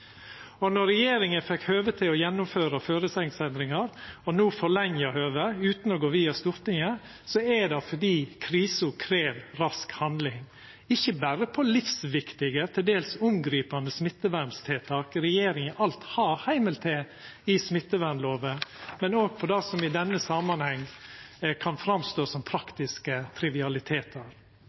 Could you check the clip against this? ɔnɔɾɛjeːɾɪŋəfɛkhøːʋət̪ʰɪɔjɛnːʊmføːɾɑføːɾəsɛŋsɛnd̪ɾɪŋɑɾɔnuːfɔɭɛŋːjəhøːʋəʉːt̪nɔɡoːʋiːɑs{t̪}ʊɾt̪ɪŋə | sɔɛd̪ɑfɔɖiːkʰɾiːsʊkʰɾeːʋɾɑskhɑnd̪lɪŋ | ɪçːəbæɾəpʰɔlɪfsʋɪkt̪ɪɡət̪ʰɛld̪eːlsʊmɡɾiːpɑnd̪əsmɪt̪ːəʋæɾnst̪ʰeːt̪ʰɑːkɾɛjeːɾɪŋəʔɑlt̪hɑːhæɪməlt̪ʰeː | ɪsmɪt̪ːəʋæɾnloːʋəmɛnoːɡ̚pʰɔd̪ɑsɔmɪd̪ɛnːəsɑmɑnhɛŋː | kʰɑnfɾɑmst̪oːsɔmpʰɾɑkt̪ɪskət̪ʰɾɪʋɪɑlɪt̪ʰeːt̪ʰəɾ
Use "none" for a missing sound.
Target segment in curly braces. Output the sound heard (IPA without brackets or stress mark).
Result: t̪